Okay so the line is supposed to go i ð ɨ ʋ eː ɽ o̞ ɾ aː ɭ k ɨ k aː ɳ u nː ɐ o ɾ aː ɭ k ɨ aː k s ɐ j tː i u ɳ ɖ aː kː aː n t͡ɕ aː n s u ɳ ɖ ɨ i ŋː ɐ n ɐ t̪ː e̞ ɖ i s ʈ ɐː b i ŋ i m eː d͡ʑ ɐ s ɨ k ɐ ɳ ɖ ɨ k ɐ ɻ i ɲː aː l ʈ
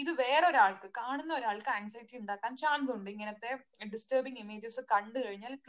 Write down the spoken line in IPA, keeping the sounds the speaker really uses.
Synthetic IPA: i ð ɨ ʋ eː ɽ o̞ ɾ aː ɭ k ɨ k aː ɳ u nː ɐ o ɾ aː ɭ k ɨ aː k s ɐ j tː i u ɳ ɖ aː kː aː n t͡ɕ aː n s u ɳ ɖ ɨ i ŋː ɐ n ɐ t̪ː e̞ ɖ i s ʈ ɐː b i ŋ i m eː d͡ʑ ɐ s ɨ k ɐ ɳ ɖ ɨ k ɐ ɻ i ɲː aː l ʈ